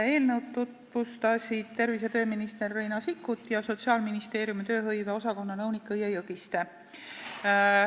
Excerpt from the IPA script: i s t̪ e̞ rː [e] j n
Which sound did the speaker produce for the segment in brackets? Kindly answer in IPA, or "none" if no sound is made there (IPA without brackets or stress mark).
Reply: e